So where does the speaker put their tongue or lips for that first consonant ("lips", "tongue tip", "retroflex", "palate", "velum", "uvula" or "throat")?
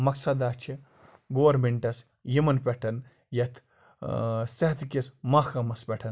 lips